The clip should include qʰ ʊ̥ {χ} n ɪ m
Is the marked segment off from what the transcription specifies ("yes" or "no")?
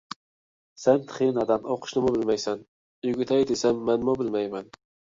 yes